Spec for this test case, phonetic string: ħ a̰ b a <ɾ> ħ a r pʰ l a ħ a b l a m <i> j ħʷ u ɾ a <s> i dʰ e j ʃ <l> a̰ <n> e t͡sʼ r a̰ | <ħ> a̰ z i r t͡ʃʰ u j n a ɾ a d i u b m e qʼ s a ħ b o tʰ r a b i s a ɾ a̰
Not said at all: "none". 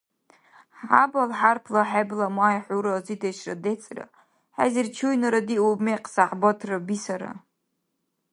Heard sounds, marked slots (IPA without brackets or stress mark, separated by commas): l, a, z, r, d, ħ